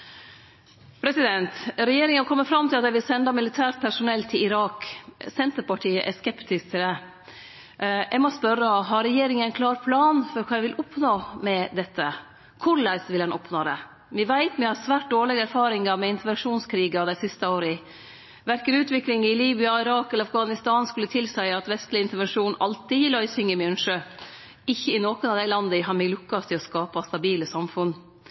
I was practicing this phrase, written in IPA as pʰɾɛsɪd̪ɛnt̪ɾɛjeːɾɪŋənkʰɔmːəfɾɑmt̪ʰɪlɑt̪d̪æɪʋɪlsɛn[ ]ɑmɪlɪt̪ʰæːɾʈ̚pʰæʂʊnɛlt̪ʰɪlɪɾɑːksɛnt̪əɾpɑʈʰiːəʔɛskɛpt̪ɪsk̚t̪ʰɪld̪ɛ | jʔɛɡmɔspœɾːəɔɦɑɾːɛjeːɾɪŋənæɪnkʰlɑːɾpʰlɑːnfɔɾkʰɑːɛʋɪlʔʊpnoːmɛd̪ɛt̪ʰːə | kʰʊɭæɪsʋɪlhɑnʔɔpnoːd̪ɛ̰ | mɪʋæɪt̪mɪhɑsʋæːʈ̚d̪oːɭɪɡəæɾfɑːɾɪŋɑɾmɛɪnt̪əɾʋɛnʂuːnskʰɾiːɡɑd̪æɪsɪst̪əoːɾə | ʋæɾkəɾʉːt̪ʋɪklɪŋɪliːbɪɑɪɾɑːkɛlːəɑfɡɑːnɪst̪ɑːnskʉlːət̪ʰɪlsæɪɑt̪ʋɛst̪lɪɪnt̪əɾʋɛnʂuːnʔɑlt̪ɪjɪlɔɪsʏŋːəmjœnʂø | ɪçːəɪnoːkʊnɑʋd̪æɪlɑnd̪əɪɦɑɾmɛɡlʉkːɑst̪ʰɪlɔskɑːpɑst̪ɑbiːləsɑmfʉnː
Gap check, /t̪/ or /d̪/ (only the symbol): d̪